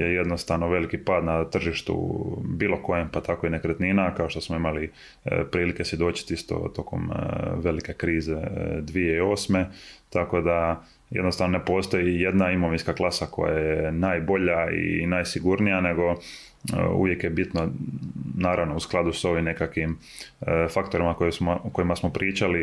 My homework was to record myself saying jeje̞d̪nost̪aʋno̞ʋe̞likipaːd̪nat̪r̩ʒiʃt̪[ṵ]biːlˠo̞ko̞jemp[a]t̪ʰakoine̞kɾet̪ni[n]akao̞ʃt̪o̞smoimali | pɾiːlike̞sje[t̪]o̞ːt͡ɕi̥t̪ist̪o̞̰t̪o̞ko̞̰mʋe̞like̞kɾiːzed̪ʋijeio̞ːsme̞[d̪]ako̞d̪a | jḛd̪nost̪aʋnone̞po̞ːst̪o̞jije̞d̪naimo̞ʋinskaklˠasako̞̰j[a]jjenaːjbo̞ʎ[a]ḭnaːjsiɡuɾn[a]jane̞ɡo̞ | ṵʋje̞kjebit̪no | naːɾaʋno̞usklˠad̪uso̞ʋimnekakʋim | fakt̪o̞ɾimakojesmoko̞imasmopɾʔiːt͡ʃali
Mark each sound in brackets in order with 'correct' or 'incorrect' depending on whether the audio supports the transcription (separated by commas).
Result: correct, correct, correct, incorrect, incorrect, correct, correct, incorrect